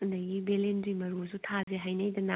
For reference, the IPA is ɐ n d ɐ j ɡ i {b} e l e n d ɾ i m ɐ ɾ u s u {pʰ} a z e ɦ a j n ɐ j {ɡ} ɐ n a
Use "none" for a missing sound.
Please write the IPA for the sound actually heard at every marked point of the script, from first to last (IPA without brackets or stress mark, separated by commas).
b, tʰ, d